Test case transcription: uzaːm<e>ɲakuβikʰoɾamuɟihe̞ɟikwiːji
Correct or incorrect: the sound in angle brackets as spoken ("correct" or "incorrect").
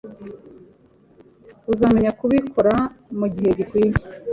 correct